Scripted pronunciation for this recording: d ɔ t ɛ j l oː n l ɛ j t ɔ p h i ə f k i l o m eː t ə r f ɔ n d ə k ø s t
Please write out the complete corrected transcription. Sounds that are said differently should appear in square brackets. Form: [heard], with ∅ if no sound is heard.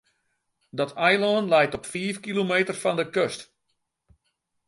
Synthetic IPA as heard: d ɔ t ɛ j l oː n l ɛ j t ɔ p [f] i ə f k i l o m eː t ə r f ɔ n d ə k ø s t